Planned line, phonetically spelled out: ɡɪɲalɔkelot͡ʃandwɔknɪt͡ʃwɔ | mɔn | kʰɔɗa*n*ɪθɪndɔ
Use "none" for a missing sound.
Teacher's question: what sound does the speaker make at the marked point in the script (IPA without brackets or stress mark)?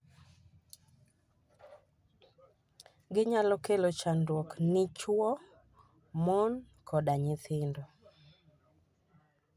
ɲ